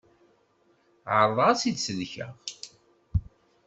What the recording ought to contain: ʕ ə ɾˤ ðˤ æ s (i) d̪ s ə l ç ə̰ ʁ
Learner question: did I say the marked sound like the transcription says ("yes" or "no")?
yes